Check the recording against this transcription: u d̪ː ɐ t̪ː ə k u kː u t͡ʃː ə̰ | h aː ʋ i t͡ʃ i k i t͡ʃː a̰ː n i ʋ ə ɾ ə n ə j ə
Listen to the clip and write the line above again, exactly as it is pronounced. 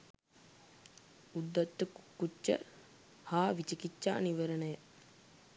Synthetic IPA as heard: u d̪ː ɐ t̪ː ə k u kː u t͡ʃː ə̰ | h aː ʋ i t͡ʃ i k i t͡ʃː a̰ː n i ʋ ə ɾ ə n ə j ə